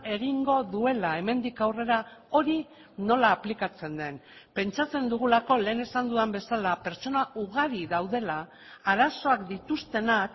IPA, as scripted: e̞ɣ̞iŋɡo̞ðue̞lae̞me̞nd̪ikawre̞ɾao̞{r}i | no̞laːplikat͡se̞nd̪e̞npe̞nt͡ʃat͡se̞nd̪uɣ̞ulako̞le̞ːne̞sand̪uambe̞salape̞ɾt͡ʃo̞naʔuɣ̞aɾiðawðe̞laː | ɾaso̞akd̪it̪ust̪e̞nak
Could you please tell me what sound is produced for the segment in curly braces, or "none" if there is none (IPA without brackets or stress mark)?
ɾ